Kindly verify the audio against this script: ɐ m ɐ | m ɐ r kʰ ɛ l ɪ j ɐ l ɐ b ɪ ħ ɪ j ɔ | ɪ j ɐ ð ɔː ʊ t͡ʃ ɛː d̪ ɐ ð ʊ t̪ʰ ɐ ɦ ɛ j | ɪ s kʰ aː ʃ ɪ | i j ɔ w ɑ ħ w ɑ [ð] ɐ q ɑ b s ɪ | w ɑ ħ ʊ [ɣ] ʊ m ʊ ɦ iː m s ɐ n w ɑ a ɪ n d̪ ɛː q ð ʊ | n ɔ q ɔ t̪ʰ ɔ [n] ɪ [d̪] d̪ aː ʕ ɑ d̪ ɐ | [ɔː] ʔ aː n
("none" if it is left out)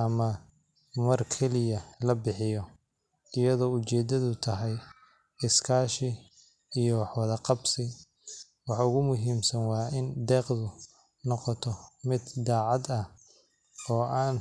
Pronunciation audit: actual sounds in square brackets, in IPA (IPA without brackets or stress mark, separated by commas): ð, ɣ, m, d̪, ɔː